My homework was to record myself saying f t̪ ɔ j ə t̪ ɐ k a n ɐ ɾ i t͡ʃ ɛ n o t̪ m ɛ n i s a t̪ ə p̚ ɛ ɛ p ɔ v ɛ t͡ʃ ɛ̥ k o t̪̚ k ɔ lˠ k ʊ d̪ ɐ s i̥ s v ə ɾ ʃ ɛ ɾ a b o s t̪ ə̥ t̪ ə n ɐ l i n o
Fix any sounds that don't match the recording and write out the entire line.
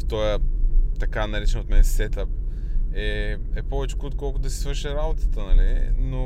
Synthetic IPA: f t̪ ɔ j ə t̪ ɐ k a n ɐ ɾ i t͡ʃ ɛ n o t̪ m ɛ n ɛ s ɛ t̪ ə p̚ ɛ ɛ p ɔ v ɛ t͡ʃ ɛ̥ k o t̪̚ k ɔ lˠ k ʊ d̪ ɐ s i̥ s v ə ɾ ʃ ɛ ɾ a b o t̪ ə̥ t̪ ə n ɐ l i n o